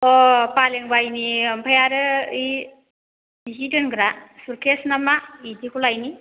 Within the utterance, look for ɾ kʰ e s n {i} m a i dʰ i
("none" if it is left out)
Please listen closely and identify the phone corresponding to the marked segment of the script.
a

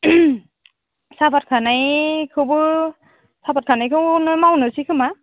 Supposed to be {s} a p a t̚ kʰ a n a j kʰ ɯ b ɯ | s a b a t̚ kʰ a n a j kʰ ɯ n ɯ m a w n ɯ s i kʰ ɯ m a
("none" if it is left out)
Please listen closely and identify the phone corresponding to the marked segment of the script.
s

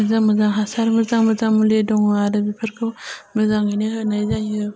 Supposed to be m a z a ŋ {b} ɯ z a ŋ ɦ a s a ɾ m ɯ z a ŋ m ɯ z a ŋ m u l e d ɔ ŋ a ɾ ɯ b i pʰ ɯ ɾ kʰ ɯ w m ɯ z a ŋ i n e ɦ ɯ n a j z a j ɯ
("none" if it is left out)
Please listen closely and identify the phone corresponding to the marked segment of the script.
m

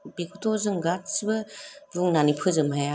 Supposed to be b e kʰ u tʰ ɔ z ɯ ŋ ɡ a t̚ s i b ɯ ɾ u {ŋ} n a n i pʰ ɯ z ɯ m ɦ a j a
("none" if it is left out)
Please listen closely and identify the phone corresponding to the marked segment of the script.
ŋ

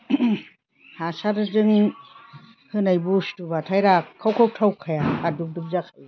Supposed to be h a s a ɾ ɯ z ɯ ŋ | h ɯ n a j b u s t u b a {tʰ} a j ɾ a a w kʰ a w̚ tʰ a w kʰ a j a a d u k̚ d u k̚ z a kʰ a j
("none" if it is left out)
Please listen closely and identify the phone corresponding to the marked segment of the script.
tʰ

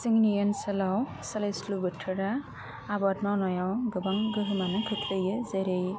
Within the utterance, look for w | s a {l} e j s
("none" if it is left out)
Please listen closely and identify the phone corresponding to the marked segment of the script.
l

